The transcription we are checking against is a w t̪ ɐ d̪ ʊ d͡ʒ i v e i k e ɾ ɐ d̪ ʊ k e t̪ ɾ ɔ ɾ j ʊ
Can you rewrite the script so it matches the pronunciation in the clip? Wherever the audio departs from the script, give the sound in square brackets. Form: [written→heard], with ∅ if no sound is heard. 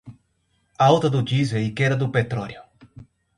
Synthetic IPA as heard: a w t̪ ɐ d̪ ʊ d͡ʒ i [v→z] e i k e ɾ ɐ d̪ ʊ [k→p] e t̪ ɾ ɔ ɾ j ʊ